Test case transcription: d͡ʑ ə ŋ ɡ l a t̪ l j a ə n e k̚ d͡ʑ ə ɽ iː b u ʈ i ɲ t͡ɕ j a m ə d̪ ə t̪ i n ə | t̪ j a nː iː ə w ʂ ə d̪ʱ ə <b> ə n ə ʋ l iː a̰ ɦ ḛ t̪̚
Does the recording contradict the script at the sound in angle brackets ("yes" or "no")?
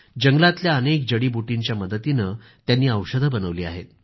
no